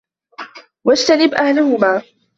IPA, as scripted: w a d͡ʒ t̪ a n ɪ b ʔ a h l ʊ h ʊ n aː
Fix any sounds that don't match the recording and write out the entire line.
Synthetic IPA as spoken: w a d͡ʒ t̪ a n ɪ b ʔ a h l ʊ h ʊ m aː